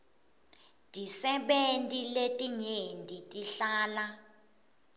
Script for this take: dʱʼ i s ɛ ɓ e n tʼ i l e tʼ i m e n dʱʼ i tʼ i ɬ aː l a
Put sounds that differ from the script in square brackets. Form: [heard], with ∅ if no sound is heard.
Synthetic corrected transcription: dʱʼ i s ɛ ɓ e n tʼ i l e tʼ i [ɲ] e n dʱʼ i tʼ i ɬ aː l a